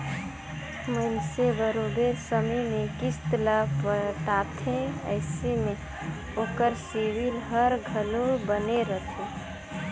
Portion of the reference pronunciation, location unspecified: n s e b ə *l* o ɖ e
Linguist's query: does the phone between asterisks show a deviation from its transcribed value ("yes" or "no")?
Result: yes